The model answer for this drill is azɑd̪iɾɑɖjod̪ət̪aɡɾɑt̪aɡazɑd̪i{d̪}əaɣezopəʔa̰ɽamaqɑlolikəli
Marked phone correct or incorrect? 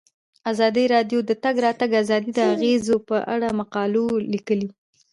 correct